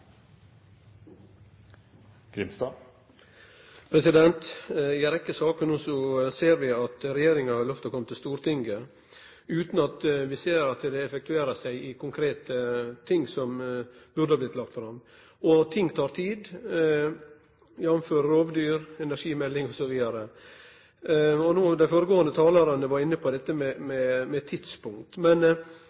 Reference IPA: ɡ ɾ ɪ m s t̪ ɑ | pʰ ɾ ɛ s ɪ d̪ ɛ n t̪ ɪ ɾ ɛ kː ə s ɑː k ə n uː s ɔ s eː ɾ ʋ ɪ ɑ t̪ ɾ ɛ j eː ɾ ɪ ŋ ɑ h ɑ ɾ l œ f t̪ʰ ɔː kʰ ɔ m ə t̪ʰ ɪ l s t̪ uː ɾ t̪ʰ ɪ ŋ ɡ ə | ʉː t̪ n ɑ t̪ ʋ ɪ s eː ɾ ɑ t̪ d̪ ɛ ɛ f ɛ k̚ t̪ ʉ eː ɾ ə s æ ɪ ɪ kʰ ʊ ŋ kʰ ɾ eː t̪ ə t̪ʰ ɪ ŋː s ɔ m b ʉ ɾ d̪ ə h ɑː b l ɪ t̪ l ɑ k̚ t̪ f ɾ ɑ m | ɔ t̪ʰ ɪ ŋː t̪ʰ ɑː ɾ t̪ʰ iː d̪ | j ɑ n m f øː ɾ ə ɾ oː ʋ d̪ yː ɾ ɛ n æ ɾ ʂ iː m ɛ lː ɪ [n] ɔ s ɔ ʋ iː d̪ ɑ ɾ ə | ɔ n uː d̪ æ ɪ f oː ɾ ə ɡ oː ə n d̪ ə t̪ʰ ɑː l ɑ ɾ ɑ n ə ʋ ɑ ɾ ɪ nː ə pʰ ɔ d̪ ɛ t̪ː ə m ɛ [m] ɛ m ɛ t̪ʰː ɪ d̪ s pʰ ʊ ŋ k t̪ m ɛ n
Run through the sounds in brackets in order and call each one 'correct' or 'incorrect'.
incorrect, correct

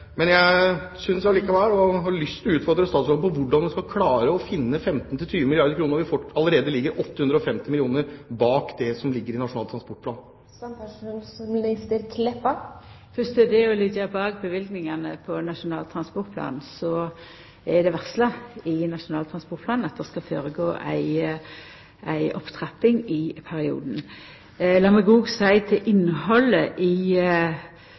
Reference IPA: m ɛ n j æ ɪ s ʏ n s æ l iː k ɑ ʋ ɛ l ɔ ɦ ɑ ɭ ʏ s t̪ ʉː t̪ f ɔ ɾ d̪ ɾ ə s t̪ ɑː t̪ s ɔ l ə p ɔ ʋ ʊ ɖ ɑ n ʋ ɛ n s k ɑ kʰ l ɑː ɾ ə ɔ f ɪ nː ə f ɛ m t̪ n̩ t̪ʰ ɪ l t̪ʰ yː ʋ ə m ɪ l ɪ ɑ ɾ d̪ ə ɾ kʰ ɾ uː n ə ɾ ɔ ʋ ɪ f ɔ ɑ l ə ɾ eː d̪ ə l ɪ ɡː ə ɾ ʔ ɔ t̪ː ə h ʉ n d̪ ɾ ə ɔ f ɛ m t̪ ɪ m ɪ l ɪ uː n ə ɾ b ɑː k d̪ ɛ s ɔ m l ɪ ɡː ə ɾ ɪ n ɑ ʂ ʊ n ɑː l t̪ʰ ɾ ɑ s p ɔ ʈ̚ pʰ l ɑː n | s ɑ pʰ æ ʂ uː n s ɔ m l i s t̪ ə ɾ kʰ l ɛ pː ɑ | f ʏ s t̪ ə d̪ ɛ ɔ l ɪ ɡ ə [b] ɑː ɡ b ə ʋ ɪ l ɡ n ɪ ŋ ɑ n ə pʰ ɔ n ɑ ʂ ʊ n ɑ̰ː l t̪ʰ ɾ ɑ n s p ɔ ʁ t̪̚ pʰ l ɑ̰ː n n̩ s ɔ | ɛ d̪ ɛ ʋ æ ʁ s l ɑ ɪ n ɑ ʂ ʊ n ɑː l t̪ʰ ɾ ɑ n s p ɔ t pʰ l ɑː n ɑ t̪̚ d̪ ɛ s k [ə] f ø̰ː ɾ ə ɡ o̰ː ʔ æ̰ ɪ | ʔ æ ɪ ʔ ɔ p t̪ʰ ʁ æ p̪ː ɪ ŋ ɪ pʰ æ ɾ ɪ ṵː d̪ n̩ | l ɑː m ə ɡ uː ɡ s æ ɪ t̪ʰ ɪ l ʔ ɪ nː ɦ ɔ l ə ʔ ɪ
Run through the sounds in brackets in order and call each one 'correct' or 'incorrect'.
correct, incorrect

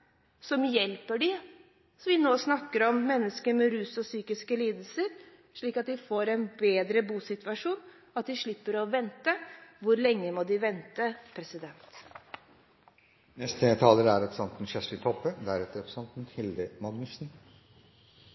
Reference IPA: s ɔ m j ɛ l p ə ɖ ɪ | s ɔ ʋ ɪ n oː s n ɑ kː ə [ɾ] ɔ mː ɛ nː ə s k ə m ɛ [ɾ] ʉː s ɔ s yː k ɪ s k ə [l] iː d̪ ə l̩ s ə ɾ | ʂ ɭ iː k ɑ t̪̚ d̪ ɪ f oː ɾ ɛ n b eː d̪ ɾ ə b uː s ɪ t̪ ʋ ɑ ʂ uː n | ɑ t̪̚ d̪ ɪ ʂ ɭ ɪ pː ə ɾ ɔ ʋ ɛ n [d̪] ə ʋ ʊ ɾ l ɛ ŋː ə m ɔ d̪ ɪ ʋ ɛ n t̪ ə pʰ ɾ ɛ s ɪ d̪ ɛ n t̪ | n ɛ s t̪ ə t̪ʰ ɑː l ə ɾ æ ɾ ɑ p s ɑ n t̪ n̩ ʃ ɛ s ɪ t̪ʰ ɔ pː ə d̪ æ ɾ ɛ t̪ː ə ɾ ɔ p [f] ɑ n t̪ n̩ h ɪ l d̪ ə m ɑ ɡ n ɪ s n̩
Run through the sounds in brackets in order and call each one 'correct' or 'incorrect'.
correct, correct, correct, incorrect, incorrect

